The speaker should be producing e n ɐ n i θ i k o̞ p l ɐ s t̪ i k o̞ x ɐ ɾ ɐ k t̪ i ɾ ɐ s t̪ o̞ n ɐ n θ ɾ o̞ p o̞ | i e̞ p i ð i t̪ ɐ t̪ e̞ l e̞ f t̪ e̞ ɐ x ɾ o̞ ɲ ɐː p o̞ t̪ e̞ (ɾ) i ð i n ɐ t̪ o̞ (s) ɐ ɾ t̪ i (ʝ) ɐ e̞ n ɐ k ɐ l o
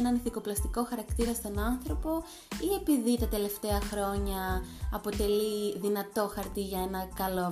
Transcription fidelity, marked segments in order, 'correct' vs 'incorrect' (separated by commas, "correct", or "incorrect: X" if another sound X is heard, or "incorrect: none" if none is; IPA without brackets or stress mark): incorrect: l, incorrect: x, correct